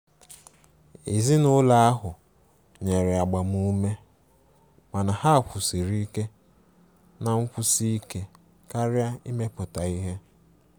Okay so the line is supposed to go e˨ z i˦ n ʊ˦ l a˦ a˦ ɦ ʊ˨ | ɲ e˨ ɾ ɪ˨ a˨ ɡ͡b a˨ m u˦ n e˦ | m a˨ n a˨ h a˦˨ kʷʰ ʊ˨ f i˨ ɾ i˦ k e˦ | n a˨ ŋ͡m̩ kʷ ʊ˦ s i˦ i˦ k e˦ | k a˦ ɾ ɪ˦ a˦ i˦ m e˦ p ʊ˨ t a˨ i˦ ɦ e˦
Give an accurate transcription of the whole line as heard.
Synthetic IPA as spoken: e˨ z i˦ n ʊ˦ l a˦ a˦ ɦ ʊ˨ | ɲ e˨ ɾ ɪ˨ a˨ ɡ͡b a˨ m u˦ m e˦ | m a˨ n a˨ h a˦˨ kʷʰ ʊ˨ s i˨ ɾ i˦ k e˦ | n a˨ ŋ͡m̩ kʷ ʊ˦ s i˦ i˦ k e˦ | k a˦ ɾ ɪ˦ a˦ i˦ m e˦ p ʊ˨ t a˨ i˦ ɦ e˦